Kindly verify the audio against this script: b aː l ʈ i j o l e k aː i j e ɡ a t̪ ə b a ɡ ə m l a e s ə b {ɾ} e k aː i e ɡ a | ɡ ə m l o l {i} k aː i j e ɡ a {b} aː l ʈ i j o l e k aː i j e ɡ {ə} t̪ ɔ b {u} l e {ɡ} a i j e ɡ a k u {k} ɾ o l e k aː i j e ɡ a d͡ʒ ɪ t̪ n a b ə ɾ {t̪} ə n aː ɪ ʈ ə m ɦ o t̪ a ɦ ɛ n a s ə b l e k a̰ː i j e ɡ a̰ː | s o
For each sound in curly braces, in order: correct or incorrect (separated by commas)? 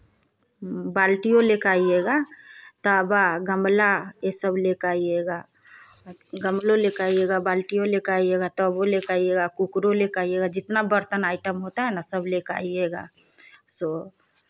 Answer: incorrect, incorrect, correct, incorrect, incorrect, incorrect, correct, correct